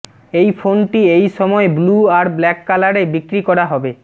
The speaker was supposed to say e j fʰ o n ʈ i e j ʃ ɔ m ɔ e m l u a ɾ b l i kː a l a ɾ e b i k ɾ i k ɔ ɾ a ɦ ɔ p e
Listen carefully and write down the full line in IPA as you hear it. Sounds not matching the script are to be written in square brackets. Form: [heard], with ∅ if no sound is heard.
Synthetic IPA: e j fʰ o n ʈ i e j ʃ ɔ m ɔ e [b] l u a ɾ b l [ɛ] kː a l a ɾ e b i k ɾ i k ɔ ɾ a ɦ ɔ [b] e